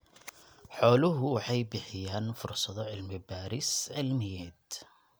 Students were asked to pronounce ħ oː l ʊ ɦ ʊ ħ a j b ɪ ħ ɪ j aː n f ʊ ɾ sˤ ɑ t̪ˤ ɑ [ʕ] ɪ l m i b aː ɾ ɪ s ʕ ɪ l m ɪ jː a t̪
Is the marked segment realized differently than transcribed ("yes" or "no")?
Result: no